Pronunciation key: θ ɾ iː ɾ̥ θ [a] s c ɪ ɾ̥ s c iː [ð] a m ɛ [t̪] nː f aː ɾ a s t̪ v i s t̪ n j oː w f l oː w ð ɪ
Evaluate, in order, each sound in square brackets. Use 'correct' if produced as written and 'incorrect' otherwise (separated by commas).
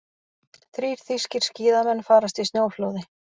incorrect, correct, incorrect